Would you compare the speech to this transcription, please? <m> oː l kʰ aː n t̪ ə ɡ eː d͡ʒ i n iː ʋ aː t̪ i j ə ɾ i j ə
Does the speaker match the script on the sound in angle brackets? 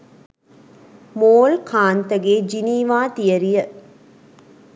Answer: yes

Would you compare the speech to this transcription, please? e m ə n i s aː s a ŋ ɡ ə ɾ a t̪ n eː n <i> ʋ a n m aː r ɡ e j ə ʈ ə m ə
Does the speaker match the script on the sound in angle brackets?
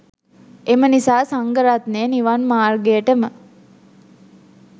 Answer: yes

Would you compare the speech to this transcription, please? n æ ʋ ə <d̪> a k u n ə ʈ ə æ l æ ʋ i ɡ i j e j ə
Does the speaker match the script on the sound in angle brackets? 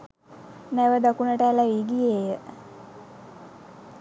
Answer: yes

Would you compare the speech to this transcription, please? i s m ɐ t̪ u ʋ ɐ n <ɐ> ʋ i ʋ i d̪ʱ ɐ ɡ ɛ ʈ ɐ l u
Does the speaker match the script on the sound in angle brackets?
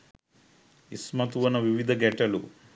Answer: yes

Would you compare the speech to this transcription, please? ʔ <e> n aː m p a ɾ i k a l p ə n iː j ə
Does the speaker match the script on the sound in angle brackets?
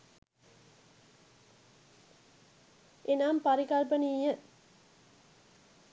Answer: yes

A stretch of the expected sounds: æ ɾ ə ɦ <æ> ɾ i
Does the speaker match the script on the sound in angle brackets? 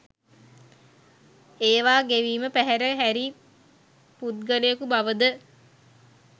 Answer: yes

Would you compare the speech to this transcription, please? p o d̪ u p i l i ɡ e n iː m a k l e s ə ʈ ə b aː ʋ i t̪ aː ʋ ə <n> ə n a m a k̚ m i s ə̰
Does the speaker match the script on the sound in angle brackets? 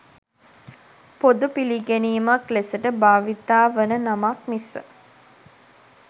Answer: yes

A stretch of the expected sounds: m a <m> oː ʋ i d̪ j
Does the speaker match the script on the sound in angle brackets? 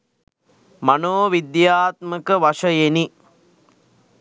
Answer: no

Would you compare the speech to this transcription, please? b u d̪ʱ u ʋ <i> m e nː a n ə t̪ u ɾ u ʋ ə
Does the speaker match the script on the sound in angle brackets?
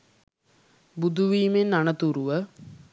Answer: no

